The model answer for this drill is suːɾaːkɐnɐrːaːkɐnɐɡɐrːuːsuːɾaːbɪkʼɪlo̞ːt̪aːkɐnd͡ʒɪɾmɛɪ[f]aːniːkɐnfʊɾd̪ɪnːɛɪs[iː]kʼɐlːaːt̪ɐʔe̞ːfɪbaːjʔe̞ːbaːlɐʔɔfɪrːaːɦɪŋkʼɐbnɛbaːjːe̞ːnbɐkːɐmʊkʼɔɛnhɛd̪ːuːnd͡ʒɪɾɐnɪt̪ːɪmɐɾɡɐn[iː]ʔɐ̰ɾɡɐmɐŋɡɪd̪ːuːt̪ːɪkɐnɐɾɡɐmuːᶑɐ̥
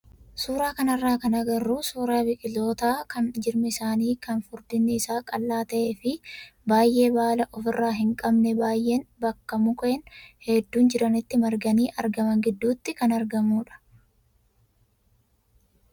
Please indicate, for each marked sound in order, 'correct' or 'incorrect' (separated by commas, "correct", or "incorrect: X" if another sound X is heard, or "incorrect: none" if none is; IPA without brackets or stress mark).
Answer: incorrect: s, incorrect: aː, correct